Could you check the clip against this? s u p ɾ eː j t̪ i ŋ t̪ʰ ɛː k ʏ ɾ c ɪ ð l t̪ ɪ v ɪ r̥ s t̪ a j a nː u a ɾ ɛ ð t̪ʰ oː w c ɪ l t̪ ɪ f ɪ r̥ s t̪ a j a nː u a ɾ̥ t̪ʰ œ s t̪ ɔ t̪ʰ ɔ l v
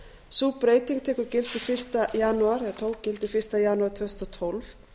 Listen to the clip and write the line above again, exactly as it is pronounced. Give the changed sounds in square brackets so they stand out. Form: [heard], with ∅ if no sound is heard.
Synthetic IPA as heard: s u p ɾ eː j t̪ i ŋ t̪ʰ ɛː k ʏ ɾ c ɪ [∅] l t̪ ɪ [f] ɪ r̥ s t̪ a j a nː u a ɾ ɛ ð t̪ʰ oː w c ɪ l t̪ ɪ f ɪ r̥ s t̪ a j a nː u a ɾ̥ t̪ʰ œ s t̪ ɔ t̪ʰ ɔ l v